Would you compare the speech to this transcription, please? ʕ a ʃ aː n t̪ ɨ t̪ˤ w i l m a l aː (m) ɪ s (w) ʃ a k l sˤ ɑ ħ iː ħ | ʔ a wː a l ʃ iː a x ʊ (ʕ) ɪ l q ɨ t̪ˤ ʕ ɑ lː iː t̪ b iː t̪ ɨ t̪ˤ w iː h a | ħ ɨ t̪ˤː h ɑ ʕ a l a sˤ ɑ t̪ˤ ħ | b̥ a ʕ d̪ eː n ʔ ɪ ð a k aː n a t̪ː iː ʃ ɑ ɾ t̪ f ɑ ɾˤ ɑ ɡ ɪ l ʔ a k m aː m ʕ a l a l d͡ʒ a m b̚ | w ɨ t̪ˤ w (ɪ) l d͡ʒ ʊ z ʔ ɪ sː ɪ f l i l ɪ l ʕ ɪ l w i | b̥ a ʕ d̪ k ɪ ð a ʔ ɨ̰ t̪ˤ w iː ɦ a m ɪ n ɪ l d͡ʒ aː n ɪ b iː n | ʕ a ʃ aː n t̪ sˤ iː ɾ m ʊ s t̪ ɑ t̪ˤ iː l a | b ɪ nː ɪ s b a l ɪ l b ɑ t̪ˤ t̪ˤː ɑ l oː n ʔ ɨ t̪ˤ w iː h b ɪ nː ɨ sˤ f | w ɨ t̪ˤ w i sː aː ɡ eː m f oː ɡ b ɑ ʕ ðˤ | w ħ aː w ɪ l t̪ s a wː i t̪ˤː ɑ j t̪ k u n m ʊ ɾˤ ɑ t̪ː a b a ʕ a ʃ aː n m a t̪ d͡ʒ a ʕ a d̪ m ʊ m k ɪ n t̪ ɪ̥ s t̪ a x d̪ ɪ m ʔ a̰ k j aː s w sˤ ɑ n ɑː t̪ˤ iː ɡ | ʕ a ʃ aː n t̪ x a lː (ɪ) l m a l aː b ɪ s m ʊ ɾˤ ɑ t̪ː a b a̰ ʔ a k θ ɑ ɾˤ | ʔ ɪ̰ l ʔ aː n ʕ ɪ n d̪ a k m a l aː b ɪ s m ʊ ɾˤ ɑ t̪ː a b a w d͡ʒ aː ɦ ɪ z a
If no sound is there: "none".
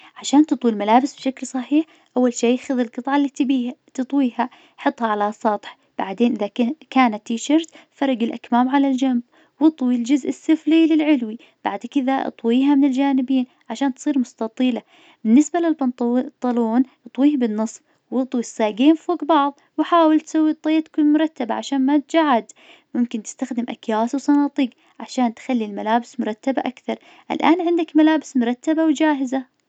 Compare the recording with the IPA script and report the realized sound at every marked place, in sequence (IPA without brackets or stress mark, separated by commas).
b, b, ð, i, i